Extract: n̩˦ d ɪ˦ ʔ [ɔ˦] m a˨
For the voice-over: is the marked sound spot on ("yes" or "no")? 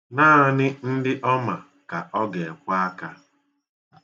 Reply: yes